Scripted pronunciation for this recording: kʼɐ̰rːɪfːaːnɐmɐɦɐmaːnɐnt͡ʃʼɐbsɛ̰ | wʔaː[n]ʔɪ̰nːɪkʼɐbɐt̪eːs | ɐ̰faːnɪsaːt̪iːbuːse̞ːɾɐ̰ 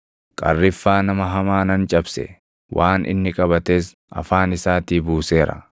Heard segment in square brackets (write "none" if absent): n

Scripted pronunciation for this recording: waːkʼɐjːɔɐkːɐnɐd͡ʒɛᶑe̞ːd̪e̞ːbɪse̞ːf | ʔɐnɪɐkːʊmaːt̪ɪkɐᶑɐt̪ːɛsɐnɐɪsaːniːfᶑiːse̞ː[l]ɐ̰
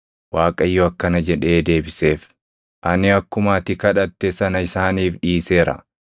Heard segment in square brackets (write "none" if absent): ɾ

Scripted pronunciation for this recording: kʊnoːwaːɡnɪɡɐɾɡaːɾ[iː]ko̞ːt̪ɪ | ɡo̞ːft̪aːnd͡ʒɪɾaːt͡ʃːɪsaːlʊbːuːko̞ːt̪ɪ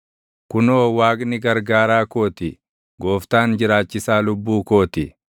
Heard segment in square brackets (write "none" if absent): aː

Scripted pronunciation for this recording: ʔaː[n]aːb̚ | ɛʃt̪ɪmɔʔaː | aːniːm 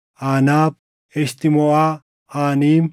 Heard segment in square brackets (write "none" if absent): n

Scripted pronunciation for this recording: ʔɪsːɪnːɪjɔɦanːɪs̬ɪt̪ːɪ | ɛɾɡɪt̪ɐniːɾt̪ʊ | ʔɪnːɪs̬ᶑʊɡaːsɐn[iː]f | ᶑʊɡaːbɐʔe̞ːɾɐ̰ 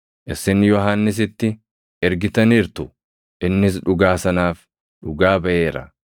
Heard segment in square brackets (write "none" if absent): aː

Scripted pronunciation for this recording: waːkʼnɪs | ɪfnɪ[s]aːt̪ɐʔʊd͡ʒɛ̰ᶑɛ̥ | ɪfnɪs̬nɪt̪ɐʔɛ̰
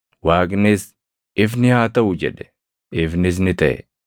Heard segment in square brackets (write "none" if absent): h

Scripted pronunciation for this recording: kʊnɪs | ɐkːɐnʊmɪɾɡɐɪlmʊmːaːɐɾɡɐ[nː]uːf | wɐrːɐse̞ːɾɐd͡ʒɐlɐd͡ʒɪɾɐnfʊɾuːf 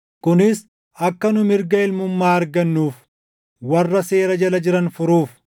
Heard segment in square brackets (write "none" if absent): nː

